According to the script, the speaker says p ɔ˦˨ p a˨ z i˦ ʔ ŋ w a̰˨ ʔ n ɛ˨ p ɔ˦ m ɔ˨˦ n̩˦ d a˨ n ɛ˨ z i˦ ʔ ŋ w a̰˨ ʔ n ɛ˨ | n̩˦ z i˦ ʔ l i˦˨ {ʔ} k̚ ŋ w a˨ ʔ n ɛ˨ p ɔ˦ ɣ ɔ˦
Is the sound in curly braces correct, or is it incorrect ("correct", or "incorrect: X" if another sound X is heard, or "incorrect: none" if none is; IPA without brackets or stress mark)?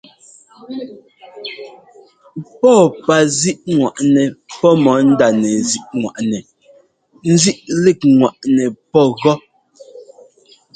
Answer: incorrect: none